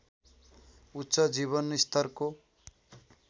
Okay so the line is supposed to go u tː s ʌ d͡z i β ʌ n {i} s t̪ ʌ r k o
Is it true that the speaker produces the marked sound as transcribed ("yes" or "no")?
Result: yes